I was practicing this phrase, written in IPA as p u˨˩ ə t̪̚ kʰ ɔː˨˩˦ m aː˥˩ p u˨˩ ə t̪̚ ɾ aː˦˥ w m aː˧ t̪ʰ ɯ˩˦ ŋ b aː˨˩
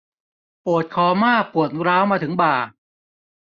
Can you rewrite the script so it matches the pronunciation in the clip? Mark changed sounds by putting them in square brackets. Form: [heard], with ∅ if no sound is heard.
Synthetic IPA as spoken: p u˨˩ ə t̪̚ kʰ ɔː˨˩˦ m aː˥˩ p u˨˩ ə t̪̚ ɾ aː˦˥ w m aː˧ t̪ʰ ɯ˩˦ ŋ b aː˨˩

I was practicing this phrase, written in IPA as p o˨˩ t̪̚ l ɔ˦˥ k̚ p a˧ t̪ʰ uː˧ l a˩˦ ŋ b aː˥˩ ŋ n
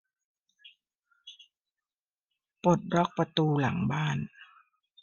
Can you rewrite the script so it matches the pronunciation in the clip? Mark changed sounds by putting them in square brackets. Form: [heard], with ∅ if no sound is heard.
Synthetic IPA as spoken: p o˨˩ t̪̚ [ɾ] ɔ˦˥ k̚ p a˧ [t̪] uː˧ l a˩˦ ŋ b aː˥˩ [∅] n

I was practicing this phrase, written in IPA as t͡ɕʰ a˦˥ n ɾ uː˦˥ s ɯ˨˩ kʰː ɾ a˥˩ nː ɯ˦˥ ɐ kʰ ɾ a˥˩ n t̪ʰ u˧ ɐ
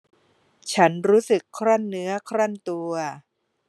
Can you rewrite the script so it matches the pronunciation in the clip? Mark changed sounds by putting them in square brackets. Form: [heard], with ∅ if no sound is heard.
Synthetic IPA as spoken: t͡ɕʰ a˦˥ n ɾ uː˦˥ s ɯ˨˩ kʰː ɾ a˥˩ nː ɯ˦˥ ɐ kʰ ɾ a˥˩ n [t̪] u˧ ɐ

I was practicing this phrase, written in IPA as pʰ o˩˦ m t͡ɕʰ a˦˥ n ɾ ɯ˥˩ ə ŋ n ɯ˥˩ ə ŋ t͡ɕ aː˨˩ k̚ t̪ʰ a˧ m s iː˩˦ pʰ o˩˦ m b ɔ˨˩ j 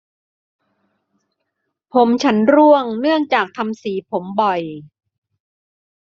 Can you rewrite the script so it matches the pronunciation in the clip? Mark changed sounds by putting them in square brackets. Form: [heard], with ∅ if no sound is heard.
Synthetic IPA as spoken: pʰ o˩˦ m t͡ɕʰ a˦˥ n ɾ [u˥˩] ə ŋ n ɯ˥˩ ə ŋ t͡ɕ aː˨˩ k̚ t̪ʰ a˧ m s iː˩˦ pʰ o˩˦ m b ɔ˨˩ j

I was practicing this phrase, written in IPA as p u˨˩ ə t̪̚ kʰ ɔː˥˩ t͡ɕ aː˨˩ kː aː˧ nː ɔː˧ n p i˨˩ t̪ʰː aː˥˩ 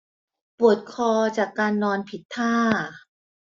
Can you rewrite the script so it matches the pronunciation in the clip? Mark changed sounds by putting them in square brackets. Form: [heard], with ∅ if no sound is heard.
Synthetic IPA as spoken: p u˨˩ ə t̪̚ kʰ [ɔː˧] t͡ɕ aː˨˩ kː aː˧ nː ɔː˧ n [pʰ] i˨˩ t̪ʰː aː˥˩

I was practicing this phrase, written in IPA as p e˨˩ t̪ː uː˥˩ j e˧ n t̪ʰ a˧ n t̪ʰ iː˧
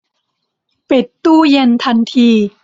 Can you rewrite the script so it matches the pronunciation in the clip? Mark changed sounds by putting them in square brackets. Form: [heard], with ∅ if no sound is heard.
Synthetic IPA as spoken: p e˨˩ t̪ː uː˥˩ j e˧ n t̪ʰ a˧ n t̪ʰ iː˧

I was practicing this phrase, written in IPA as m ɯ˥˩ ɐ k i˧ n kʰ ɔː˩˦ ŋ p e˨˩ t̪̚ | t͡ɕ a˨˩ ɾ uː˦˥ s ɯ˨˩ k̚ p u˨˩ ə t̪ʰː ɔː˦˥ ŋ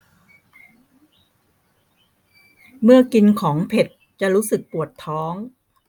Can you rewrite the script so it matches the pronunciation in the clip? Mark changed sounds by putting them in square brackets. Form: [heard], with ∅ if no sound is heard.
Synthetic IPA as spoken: m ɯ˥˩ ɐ k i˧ n kʰ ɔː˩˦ ŋ [pʰ] e˨˩ t̪̚ | t͡ɕ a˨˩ ɾ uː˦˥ s ɯ˨˩ k̚ p u˨˩ ə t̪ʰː ɔː˦˥ ŋ

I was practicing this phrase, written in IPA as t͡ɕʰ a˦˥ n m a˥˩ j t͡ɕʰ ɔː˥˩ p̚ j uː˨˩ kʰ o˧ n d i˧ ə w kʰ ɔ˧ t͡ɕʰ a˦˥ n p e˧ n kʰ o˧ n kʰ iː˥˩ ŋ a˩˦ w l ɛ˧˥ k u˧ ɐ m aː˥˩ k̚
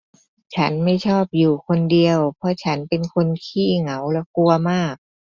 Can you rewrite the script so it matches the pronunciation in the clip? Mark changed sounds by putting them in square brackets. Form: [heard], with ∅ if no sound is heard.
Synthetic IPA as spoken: t͡ɕʰ a˦˥ n m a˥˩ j t͡ɕʰ ɔː˥˩ p̚ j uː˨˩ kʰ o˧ n d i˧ ə w [pʰ] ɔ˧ t͡ɕʰ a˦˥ n p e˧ n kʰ o˧ n kʰ iː˥˩ ŋ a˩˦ w l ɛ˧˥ k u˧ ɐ m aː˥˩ k̚

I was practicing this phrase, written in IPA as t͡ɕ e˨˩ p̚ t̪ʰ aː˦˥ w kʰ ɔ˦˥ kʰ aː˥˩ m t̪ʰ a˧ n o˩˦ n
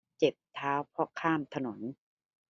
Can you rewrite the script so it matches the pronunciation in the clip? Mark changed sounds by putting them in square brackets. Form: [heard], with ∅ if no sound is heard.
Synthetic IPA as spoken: t͡ɕ e˨˩ p̚ t̪ʰ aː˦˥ w [pʰ] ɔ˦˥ kʰ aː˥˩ m t̪ʰ a˧ n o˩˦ n

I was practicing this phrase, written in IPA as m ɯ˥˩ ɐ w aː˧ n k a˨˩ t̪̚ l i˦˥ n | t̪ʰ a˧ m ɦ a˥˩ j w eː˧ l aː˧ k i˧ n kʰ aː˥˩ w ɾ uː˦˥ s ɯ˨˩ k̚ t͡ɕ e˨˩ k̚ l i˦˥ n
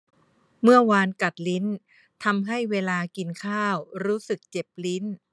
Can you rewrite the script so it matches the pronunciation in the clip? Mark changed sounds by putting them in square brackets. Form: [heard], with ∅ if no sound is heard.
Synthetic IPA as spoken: m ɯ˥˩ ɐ w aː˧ n k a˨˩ t̪̚ l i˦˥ n | t̪ʰ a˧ m ɦ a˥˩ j w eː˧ l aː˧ k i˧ n kʰ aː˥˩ w ɾ uː˦˥ s ɯ˨˩ k̚ t͡ɕ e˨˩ [p̚] l i˦˥ n

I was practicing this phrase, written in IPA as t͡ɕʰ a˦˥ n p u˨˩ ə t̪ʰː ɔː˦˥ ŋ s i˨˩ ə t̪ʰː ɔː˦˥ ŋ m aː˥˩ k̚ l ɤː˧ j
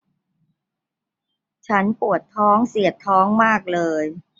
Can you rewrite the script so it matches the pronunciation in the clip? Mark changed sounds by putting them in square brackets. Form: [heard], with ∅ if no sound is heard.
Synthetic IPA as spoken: t͡ɕʰ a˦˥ n p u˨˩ ə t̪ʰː ɔː˦˥ ŋ s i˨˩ ə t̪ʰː ɔː˦˥ ŋ m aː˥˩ k̚ l ɤː˧ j

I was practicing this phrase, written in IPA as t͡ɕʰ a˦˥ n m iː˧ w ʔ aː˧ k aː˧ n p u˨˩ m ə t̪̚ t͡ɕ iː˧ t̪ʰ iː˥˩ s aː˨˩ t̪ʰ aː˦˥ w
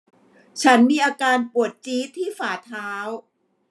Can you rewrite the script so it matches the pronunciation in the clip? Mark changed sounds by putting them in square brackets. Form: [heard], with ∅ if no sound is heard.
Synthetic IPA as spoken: t͡ɕʰ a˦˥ n m iː˧ [∅] ʔ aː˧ k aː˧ n p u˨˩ [∅] ə t̪̚ t͡ɕ [iː˦˥] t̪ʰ iː˥˩ [f] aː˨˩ t̪ʰ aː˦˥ w

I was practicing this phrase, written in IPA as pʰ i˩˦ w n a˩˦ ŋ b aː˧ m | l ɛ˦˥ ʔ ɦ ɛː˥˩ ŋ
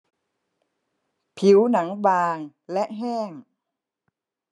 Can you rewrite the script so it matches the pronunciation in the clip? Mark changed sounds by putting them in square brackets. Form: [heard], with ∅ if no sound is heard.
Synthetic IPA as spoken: pʰ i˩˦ w n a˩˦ ŋ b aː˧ [ŋ] | l ɛ˦˥ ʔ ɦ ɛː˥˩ ŋ

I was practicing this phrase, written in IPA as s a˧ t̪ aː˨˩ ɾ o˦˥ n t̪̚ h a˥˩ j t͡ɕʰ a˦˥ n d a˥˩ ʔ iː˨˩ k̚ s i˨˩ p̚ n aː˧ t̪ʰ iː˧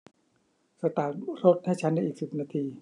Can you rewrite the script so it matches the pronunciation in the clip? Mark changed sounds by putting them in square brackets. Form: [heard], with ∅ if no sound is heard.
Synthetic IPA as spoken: s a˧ t̪ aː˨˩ ɾ o˦˥ [∅] t̪̚ h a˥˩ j t͡ɕʰ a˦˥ n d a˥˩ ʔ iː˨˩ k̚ s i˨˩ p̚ n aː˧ t̪ʰ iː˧

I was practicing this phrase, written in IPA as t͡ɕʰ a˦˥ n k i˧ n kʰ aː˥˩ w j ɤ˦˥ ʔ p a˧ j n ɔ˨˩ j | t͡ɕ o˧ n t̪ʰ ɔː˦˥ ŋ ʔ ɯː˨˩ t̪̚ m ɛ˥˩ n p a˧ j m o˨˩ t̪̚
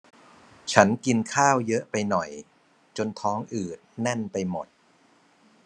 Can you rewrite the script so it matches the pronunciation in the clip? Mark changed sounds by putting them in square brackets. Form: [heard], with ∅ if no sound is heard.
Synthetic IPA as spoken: t͡ɕʰ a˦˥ n k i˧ n kʰ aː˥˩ w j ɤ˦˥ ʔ p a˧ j n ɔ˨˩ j | t͡ɕ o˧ n t̪ʰ ɔː˦˥ ŋ ʔ ɯː˨˩ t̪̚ [n] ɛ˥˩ n p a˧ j m o˨˩ t̪̚

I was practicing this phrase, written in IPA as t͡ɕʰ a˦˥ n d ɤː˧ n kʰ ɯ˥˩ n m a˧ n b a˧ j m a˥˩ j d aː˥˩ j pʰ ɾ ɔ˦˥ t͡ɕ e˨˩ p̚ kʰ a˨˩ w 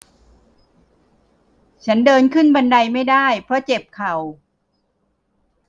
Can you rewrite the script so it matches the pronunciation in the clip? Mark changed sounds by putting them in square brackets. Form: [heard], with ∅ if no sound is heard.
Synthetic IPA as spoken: t͡ɕʰ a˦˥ n d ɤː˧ n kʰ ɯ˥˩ n [b] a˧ n [d] a˧ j m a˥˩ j d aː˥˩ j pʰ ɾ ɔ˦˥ t͡ɕ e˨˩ p̚ kʰ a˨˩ w

